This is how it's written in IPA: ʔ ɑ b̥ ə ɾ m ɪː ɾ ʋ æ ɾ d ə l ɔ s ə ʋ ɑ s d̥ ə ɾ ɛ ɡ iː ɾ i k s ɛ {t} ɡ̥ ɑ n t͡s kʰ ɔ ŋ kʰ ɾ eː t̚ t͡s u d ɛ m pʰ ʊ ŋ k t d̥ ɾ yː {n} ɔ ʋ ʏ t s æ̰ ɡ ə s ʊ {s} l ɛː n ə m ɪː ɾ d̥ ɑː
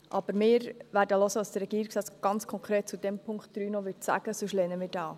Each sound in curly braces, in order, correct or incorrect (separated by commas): incorrect, correct, incorrect